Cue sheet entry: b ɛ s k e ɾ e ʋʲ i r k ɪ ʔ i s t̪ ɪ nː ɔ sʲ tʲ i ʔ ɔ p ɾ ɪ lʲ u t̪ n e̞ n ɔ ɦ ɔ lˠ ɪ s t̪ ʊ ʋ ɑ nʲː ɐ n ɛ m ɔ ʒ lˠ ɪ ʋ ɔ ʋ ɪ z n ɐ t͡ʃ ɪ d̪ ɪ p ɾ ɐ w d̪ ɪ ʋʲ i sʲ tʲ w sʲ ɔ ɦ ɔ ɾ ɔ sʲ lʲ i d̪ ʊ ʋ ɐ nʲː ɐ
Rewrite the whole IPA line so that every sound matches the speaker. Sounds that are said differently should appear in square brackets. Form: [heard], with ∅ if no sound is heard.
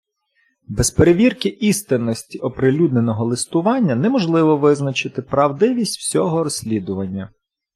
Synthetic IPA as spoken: b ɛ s [p] e ɾ e ʋʲ i r k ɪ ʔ i s t̪ ɪ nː ɔ sʲ tʲ i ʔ ɔ p ɾ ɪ lʲ u [d̪] n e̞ n ɔ ɦ ɔ lˠ ɪ s t̪ ʊ ʋ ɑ nʲː ɐ n ɛ m ɔ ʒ lˠ ɪ ʋ ɔ ʋ ɪ z n ɐ t͡ʃ ɪ [t̪] ɪ p ɾ ɐ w d̪ ɪ ʋʲ i sʲ tʲ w sʲ ɔ ɦ ɔ ɾ ɔ sʲ lʲ i d̪ ʊ ʋ ɐ nʲː ɐ